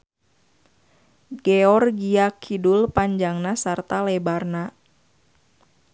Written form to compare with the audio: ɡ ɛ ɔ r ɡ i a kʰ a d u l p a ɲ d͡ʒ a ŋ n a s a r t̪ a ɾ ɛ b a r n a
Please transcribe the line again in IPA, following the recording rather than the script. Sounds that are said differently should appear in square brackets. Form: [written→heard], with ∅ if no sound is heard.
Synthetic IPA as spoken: ɡ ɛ ɔ r ɡ i a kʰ [a→i] d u l p a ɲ d͡ʒ a ŋ n a s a r t̪ a [ɾ→l] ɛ b a r n a